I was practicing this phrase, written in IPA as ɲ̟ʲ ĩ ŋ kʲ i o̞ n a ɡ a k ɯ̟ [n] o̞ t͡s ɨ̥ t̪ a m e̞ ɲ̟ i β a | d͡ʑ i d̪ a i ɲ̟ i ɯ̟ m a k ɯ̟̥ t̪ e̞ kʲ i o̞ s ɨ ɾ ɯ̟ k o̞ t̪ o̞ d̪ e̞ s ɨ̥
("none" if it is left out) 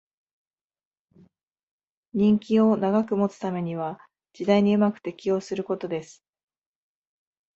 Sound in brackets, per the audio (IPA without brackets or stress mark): m